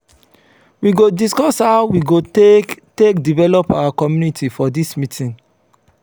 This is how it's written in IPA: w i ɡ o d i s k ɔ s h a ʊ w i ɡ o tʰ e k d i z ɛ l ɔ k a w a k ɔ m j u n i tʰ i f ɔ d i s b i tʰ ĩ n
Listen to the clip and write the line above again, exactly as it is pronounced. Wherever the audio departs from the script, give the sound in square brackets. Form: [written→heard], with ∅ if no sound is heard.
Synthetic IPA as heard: w i ɡ o d i s k ɔ s h a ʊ w i ɡ o [tʰ→t] e k d i [z→v] ɛ l ɔ [k→p] a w a k ɔ m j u n i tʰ i f ɔ d i s [b→m] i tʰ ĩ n